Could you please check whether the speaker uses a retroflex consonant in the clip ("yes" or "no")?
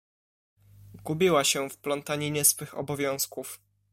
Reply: no